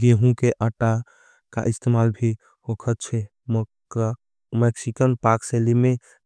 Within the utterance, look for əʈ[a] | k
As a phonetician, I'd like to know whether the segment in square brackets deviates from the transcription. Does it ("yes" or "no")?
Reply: no